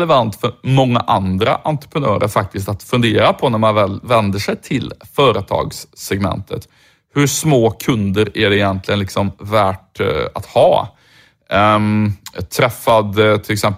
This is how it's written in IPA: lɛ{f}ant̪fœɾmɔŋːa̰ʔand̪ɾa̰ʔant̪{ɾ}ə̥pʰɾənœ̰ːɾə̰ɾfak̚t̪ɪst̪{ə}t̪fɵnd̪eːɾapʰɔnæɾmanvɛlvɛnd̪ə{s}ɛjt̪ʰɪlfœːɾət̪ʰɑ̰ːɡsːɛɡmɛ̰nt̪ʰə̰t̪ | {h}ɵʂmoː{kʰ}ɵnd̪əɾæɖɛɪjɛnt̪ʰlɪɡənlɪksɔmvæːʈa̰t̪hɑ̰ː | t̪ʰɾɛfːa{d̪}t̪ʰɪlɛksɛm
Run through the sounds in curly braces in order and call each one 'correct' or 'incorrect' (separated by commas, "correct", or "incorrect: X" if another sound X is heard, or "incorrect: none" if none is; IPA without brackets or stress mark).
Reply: incorrect: v, correct, incorrect: a, incorrect: ʂ, correct, correct, correct